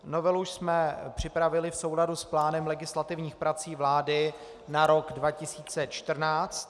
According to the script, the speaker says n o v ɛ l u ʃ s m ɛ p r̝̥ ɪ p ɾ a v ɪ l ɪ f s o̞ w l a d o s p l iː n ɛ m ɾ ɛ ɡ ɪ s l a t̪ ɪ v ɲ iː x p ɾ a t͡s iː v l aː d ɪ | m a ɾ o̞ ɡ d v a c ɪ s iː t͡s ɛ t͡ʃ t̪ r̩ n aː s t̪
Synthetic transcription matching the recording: n o v ɛ l u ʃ s m ɛ p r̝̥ ɪ p ɾ a v ɪ l ɪ f s o̞ w l a d u s p l aː n ɛ m l ɛ ɡ ɪ s l a t̪ ɪ v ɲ iː x p ɾ a t͡s iː v l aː d ɪ | n a ɾ o̞ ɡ d v a c ɪ s iː t͡s ɛ t͡ʃ t̪ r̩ n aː t͡s t̪